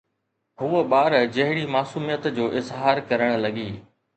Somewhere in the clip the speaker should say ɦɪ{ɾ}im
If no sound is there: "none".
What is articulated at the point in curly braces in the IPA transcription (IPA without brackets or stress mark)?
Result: ɽ